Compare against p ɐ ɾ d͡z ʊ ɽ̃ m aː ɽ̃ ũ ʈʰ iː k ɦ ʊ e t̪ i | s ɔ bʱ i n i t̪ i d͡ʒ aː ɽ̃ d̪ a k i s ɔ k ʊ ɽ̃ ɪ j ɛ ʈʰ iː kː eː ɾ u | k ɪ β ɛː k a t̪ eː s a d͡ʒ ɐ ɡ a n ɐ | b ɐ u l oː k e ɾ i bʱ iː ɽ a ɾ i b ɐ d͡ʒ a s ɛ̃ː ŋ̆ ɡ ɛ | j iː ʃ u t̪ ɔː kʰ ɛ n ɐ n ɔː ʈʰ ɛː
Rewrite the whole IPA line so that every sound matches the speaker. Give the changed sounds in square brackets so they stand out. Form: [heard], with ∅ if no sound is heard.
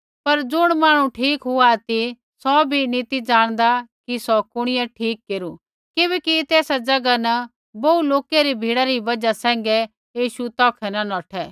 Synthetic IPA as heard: p ɐ ɾ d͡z ʊ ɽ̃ m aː ɽ̃ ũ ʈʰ iː k ɦ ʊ [a] t̪ i | s ɔ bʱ i n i t̪ i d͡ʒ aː ɽ̃ d̪ a k i s ɔ k ʊ ɽ̃ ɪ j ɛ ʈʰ iː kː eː ɾ u | k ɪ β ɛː k [i] t̪ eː s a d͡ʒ ɐ ɡ a n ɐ | b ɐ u l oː k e ɾ i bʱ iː ɽ a ɾ i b ɐ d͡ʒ a s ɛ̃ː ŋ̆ ɡ ɛ | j iː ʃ u t̪ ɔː kʰ ɛ n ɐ n ɔː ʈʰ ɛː